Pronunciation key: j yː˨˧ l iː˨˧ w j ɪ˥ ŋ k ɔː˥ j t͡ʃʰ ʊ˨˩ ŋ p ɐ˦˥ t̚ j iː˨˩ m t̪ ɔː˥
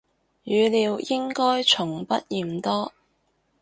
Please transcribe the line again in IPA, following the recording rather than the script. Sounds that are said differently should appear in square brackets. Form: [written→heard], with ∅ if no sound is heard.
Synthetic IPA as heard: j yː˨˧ l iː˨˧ w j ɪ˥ ŋ k ɔː˥ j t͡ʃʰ ʊ˨˩ ŋ p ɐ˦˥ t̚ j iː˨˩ m t̪ ɔː˥